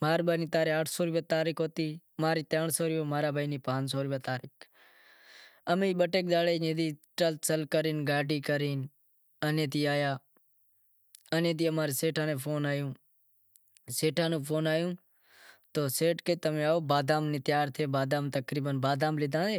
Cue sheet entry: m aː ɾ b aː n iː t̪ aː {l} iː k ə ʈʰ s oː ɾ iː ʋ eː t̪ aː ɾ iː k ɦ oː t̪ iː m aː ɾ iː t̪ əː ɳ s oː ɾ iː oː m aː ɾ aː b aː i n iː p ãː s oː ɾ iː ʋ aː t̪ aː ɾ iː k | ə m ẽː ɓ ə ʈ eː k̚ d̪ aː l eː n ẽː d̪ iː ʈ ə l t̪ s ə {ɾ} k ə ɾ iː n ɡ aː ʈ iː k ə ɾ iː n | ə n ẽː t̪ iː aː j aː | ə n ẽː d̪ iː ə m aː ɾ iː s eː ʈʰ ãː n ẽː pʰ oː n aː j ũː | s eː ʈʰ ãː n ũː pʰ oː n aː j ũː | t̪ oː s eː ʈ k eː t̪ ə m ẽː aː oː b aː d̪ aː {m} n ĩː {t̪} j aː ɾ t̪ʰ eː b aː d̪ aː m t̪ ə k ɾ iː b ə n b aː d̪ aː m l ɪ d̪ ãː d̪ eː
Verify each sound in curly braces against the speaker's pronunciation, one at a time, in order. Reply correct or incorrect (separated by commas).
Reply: incorrect, incorrect, correct, correct